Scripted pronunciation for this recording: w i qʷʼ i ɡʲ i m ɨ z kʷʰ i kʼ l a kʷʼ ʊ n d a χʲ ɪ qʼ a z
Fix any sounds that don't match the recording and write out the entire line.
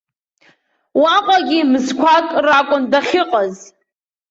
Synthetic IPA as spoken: w a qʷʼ a ɡʲ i m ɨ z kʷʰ a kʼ r a kʷʼ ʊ n d a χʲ ɪ qʼ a z